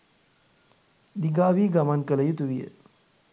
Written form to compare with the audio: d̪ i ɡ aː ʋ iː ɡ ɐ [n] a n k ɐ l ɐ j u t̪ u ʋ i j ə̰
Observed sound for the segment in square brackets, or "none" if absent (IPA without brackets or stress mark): m